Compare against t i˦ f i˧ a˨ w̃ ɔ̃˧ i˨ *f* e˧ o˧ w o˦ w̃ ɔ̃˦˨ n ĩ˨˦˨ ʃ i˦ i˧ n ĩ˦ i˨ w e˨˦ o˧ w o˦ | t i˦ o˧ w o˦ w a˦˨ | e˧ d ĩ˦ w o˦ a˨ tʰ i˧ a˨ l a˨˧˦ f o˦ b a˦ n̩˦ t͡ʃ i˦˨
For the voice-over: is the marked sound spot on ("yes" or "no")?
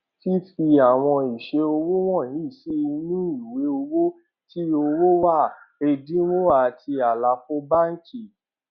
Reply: no